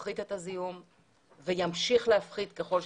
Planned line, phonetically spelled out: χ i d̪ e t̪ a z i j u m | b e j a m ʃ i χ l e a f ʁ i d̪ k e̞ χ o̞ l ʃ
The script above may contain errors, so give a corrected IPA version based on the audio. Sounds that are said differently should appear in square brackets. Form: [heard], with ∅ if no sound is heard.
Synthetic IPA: χ i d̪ e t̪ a z i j u m | [v] e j a m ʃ i χ l e a f [χ] i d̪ k e̞ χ o̞ l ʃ

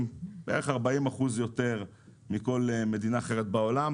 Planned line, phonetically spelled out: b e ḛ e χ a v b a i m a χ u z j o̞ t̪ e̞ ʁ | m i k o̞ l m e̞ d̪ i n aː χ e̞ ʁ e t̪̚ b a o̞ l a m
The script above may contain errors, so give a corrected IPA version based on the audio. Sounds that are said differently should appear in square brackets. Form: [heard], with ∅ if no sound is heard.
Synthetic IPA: b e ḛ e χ a [ʁ] b a i m a χ u z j o̞ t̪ e̞ ʁ | m i k o̞ l m e̞ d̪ i n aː χ e̞ ʁ e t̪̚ b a o̞ l a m

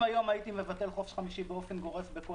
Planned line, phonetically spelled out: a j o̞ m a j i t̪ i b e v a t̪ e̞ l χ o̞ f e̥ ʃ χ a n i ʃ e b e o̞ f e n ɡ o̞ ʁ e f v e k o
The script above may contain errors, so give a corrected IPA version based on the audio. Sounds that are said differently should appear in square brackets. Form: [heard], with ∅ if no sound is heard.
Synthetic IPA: a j o̞ m a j i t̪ i [m] e v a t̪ e̞ l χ o̞ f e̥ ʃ χ a [m] i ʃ [i] b e o̞ f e n ɡ o̞ ʁ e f [b] e k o

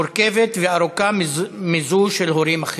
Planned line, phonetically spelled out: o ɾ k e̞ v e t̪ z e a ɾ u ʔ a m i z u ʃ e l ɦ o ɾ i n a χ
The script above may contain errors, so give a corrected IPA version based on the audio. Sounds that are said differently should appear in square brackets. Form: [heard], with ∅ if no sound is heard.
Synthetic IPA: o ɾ k e̞ v e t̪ [v] e a ɾ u [k] a m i z u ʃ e l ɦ o ɾ i [m] a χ

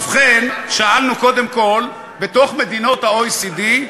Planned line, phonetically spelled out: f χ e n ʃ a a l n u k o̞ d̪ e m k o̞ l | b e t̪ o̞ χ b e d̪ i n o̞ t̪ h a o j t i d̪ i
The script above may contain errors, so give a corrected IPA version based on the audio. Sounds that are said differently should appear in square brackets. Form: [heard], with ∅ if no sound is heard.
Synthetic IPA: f χ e n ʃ a a l n u k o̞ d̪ e m k o̞ l | b e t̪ o̞ χ [m] e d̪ i n o̞ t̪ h a o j [s] i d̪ i

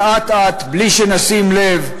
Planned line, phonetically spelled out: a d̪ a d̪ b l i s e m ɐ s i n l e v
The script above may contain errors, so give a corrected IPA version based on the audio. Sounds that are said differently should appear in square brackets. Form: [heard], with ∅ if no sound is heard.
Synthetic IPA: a [t̪] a [t̪] b l i [ʃ] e [n] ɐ s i [m] l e v

